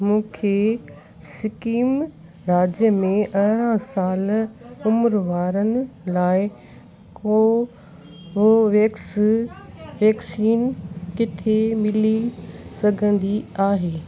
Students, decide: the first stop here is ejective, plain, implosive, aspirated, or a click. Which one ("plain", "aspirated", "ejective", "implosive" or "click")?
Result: aspirated